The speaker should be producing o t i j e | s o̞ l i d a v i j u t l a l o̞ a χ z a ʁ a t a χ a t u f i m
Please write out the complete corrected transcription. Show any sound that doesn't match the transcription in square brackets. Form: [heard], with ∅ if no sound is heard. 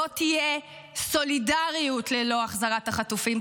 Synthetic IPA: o t i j e | s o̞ l i d a [ʁ] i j u t l [e] l o̞ a χ z a ʁ a t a χ a t u f i m